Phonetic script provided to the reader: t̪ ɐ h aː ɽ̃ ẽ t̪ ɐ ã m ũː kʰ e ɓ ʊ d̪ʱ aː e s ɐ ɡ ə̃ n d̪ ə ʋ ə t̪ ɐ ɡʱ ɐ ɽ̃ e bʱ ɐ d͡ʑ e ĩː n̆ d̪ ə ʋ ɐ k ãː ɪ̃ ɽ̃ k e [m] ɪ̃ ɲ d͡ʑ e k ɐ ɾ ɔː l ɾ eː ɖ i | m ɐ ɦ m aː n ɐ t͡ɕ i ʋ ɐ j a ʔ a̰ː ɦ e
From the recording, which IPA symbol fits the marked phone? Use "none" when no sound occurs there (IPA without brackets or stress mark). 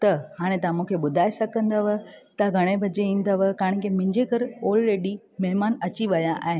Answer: m